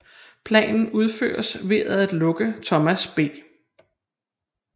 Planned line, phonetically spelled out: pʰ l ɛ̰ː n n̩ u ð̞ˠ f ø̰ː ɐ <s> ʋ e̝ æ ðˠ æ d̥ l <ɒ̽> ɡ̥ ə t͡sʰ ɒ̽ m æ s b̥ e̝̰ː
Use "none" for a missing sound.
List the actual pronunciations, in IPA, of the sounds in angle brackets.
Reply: s, ɔ̽

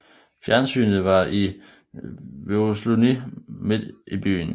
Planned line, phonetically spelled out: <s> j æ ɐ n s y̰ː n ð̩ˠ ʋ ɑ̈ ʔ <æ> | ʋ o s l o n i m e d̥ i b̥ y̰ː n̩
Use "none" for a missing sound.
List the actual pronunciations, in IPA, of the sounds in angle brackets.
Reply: f, i

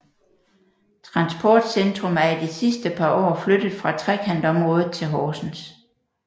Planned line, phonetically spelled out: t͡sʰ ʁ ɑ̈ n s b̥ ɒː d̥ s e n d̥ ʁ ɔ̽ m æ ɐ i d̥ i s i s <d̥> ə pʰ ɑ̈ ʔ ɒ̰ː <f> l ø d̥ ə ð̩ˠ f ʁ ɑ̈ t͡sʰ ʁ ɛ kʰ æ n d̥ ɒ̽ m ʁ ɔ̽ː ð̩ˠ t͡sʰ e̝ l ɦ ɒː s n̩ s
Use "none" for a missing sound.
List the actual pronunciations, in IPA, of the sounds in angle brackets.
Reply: d̥, f

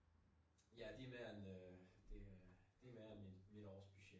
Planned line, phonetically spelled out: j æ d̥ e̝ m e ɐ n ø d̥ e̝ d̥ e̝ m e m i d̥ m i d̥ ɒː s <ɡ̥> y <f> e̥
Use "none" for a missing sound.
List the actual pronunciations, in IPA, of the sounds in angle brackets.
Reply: b̥, ɕ

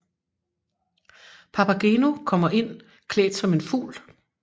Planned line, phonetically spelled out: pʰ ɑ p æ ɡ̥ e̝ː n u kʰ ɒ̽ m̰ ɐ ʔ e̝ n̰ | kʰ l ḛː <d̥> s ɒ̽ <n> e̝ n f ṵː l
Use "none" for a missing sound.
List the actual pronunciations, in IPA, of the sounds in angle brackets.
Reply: d̥, m

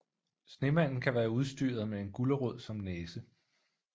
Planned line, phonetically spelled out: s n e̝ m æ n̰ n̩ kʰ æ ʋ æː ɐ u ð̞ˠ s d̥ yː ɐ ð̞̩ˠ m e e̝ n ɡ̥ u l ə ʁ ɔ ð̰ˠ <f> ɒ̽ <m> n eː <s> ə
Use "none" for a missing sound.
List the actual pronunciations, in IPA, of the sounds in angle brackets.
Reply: s, m, s

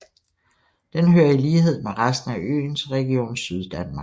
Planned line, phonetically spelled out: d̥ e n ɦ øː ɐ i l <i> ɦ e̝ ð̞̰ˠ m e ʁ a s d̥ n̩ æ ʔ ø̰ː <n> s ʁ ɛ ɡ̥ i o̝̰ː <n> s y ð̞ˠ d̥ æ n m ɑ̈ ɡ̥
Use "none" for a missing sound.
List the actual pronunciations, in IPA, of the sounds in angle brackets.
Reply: iː, n, n

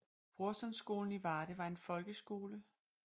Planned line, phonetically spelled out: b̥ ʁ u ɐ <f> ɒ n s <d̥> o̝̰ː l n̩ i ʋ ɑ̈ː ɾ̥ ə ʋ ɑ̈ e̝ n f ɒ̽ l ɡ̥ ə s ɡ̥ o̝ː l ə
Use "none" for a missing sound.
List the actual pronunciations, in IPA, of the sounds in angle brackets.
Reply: s, ɡ̥

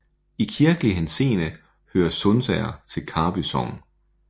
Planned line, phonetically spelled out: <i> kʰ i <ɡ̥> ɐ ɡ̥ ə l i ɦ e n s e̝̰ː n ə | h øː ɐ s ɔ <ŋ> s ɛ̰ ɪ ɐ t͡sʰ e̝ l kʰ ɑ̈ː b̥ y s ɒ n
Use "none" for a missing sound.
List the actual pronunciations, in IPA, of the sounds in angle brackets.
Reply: i, none, n

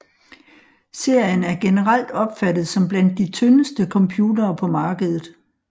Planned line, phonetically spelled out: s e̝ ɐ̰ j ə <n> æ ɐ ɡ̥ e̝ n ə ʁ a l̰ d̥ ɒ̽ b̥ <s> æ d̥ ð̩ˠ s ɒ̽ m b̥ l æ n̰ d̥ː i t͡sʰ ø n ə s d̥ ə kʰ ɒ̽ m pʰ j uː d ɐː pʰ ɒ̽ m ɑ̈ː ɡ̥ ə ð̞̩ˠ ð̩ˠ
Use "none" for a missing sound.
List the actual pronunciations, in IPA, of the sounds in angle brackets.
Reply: n, f

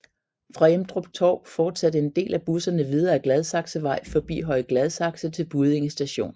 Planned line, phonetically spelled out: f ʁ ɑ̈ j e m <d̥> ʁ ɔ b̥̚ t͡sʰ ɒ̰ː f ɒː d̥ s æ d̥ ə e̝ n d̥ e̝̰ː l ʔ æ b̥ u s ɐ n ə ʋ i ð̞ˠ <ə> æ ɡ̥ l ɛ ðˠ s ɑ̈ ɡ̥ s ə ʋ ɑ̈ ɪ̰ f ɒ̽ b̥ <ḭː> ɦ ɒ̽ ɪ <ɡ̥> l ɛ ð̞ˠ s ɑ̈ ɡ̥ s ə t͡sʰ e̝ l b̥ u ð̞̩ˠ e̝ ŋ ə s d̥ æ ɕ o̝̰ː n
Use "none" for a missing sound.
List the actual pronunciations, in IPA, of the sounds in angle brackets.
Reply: d̥, ɐ, ḭː, ɡ̥

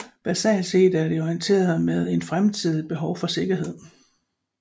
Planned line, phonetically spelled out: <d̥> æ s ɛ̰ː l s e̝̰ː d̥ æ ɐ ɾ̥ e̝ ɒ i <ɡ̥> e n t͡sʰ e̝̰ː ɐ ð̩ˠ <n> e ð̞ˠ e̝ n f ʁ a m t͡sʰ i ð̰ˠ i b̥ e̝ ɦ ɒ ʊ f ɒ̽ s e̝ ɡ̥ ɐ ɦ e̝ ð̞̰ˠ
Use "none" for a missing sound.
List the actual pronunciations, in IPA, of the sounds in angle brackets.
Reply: b̥, none, m

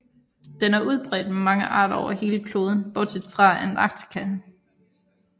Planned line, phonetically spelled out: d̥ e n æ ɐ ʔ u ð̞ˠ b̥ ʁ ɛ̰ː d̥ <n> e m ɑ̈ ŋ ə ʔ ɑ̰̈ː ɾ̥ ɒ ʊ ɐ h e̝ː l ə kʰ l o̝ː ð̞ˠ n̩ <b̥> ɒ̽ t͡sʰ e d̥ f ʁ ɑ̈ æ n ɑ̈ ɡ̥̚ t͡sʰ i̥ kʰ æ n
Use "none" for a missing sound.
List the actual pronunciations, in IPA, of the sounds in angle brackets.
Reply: m, b̥

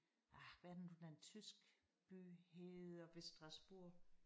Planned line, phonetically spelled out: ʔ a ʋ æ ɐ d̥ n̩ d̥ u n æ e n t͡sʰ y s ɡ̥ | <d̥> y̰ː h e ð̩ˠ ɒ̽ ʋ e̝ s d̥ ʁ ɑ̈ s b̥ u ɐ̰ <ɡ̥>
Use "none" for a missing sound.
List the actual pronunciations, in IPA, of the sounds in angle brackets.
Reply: b̥, none

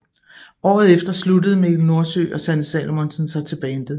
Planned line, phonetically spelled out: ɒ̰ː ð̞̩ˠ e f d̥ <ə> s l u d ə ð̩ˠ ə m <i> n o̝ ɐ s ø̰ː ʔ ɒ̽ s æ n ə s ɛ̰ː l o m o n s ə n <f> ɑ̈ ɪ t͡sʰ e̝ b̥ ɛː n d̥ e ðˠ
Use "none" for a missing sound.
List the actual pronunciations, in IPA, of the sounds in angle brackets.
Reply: ɐ, e, s

